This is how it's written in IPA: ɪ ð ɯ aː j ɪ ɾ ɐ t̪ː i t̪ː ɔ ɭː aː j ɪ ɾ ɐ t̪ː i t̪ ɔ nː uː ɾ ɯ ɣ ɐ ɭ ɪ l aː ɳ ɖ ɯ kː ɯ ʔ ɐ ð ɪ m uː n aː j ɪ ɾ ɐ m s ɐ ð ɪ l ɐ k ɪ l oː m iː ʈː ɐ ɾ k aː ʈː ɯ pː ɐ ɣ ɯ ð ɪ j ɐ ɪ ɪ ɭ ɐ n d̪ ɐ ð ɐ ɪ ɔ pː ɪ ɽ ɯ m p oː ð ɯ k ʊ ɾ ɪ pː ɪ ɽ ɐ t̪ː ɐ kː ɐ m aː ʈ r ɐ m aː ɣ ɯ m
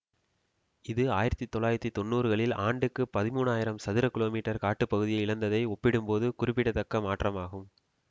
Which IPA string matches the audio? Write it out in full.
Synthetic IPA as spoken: ɪ ð ɯ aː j ɪ ɾ ɐ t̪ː i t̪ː ɔ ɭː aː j ɪ ɾ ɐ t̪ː i t̪ ɔ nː uː ɾ ɯ ɣ ɐ ɭ ɪ l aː ɳ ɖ ɯ kː ɯ p ɐ ð ɪ m uː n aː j ɪ ɾ ɐ m s ɐ ð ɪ ɾ ɐ k ɪ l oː m iː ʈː ɐ ɾ k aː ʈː ɯ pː ɐ ɣ ɯ ð ɪ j ɐ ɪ ɪ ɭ ɐ n d̪ ɐ ð ɐ ɪ ɔ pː ɪ ɽ ɯ m p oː ð ɯ k ʊ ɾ ɪ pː ɪ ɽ ɐ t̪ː ɐ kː ɐ m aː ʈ r ɐ m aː ɣ ɯ m